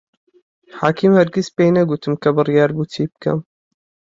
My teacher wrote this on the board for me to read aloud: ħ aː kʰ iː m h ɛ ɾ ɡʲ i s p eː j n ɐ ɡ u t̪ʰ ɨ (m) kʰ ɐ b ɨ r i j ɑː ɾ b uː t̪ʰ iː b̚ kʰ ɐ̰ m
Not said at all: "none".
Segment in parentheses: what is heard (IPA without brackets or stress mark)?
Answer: m